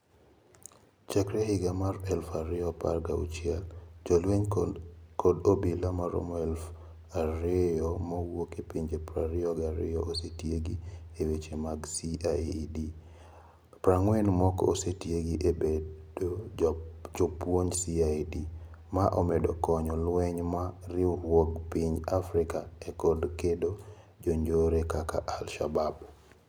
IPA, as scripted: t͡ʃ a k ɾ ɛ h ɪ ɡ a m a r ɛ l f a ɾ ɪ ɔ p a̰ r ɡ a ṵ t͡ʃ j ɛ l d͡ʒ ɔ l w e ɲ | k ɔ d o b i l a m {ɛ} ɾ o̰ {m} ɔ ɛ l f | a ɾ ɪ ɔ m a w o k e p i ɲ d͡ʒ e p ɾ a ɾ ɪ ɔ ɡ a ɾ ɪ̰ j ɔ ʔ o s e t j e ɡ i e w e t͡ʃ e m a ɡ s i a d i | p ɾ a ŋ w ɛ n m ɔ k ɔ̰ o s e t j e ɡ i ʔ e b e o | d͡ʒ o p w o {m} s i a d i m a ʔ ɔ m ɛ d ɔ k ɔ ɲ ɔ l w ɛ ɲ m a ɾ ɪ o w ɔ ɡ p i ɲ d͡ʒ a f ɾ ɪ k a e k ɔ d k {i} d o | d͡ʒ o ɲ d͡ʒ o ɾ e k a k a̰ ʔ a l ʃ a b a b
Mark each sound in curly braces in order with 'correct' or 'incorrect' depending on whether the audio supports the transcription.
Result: incorrect, correct, incorrect, incorrect

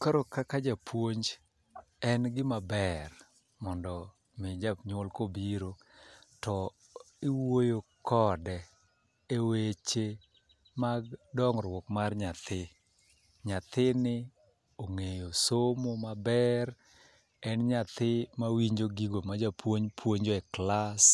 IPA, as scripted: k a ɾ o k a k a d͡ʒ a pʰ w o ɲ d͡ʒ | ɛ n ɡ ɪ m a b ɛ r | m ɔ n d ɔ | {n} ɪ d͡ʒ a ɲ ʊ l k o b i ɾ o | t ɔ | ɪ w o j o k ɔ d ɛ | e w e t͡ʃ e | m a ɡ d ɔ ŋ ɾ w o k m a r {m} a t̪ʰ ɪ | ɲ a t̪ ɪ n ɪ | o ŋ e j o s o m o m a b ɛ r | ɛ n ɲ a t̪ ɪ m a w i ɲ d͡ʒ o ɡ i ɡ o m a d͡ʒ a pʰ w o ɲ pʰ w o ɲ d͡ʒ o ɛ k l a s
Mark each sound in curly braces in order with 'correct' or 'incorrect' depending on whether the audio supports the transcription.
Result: incorrect, incorrect

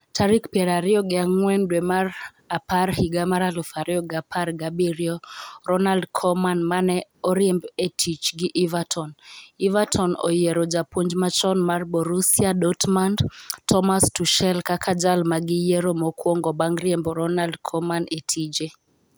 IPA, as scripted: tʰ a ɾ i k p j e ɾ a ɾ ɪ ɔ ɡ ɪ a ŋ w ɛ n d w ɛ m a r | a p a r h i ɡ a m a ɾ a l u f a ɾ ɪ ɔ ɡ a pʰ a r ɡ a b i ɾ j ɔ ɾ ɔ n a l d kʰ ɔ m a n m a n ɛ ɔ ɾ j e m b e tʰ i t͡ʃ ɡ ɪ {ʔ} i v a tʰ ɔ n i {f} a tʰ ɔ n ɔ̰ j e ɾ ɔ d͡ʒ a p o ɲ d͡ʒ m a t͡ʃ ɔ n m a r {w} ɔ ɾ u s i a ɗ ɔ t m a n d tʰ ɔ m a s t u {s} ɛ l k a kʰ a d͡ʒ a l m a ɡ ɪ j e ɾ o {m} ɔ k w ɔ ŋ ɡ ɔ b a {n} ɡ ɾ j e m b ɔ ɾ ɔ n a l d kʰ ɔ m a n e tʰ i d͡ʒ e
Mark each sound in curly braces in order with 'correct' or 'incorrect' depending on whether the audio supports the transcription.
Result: correct, incorrect, incorrect, incorrect, correct, incorrect

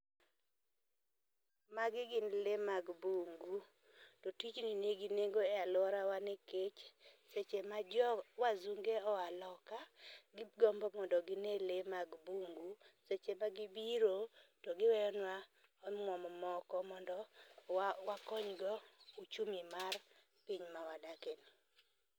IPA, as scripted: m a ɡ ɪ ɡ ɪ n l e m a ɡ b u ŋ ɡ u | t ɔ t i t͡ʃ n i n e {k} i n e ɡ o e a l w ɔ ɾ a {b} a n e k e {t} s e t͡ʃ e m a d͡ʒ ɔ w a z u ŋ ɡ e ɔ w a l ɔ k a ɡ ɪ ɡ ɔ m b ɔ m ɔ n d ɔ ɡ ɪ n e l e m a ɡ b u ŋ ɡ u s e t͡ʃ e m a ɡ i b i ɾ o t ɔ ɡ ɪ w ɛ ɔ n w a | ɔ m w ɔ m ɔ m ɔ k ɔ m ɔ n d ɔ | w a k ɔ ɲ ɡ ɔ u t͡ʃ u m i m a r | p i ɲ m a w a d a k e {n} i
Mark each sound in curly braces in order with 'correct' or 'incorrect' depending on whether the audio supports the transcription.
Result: incorrect, incorrect, incorrect, correct

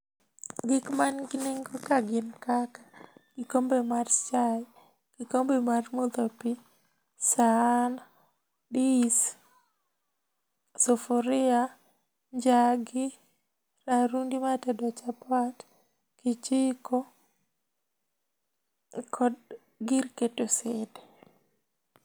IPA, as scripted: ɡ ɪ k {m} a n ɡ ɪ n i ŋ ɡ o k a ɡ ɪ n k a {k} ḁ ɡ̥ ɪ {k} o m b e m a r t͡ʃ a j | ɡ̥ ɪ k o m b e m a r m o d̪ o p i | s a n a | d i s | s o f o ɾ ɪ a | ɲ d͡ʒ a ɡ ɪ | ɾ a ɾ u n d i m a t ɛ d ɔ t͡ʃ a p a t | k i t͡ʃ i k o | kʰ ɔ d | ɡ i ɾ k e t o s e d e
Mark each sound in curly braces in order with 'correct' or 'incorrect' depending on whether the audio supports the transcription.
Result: correct, correct, correct

